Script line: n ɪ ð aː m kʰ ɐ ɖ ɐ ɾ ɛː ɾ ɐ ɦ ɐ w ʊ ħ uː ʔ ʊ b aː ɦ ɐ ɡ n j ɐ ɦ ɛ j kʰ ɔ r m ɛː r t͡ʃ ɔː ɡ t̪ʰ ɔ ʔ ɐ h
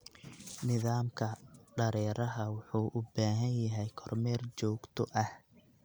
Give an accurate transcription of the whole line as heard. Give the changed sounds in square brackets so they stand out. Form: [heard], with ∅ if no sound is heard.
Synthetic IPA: n ɪ ð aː m kʰ ɐ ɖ ɐ ɾ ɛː ɾ ɐ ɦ ɐ w ʊ ħ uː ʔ ʊ b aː ɦ ɐ [∅] n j ɐ ɦ ɛ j kʰ ɔ r m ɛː r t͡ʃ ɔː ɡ t̪ʰ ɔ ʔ ɐ h